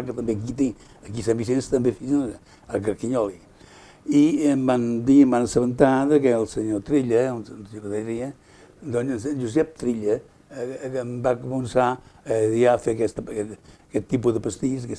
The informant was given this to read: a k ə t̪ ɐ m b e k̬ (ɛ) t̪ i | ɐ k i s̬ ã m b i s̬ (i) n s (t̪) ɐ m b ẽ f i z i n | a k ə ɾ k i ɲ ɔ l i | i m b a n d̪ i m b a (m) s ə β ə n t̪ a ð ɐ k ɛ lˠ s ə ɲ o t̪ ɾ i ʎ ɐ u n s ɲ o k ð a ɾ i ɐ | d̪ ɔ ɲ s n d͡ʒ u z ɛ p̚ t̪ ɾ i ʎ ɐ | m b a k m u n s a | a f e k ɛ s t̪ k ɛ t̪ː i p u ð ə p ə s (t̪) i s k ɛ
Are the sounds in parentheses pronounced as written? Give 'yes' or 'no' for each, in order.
no, no, yes, no, yes

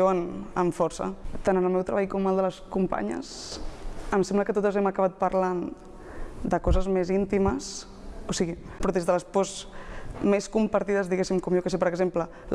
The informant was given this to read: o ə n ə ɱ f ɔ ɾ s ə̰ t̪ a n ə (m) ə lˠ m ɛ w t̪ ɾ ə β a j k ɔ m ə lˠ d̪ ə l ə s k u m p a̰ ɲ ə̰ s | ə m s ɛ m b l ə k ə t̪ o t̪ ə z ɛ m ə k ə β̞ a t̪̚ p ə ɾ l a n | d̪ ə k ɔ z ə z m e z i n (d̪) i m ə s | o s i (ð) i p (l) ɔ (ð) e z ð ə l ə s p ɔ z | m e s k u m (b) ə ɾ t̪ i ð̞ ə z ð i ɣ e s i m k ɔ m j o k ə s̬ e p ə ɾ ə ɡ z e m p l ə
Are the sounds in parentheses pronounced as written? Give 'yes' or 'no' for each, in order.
no, no, no, no, yes, no

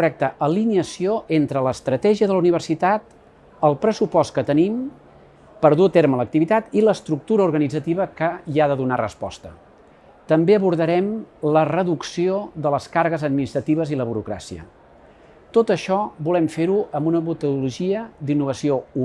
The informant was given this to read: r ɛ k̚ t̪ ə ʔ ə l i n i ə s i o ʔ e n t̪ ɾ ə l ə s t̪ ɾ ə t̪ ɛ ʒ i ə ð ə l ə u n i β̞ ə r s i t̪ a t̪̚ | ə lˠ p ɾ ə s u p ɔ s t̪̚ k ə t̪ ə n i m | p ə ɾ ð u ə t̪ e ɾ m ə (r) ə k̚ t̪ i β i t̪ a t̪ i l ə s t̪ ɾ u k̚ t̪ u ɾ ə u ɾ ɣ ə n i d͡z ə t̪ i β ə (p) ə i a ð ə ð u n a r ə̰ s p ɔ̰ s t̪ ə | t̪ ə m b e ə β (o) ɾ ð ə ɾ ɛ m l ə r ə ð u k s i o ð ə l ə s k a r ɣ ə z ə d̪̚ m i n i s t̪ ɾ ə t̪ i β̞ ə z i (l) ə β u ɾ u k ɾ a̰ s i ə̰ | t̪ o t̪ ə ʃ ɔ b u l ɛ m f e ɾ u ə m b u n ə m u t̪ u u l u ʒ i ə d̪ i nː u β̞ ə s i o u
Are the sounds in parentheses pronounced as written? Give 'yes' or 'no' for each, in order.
no, no, no, yes

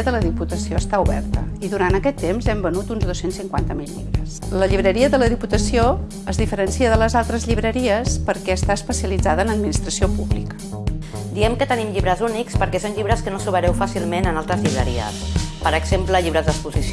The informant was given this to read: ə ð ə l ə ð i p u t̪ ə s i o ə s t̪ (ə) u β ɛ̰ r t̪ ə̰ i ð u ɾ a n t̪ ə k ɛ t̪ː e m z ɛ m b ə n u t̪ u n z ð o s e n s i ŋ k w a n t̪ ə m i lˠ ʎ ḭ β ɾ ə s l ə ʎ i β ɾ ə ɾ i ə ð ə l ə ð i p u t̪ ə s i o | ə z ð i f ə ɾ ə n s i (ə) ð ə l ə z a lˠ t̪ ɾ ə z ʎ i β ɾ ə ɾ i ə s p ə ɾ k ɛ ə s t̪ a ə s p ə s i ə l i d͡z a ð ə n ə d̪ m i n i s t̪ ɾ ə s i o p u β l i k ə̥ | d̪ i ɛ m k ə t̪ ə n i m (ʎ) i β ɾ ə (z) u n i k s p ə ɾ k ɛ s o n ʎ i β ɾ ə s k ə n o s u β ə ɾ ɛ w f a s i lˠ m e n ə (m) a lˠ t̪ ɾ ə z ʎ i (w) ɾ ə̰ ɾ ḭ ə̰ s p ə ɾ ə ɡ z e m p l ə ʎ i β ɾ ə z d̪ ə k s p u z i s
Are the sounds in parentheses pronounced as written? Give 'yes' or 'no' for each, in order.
no, yes, yes, yes, no, no

